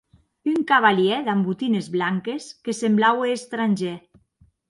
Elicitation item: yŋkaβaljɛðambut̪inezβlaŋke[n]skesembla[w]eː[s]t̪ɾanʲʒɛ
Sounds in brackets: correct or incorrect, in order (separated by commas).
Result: incorrect, correct, correct